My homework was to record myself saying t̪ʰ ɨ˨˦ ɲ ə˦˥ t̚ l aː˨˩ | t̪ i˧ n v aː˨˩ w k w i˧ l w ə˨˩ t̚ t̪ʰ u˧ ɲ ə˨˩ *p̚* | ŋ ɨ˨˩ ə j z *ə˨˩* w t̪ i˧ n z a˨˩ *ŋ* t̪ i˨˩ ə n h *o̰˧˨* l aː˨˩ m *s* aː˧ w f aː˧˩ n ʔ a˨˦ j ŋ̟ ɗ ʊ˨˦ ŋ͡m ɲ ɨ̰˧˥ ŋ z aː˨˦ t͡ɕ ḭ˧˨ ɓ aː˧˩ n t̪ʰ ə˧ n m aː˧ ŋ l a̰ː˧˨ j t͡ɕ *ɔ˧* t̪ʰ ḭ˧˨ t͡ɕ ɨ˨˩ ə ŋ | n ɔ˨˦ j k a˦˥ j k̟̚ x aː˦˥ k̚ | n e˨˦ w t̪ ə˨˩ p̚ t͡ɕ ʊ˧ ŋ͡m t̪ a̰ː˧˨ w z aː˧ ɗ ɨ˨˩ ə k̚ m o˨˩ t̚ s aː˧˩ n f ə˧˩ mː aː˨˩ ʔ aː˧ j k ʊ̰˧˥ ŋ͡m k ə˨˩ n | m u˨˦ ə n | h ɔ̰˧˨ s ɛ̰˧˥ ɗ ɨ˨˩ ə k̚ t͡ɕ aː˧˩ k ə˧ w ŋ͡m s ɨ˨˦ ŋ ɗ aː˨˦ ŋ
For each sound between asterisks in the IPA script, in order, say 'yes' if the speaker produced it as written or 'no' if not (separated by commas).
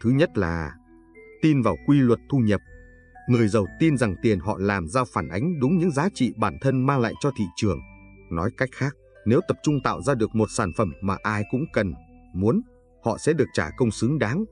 yes, yes, yes, no, no, yes